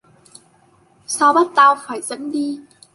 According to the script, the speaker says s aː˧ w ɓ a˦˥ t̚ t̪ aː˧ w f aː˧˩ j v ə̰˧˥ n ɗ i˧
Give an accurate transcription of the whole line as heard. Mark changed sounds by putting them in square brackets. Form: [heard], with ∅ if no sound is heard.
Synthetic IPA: s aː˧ w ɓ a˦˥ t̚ t̪ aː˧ w f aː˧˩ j [z] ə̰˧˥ n ɗ i˧